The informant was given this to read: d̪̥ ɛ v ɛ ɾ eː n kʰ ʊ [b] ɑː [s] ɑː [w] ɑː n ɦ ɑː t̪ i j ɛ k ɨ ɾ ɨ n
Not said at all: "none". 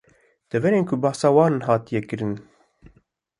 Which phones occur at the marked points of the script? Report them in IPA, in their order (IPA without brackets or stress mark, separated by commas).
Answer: b, s, w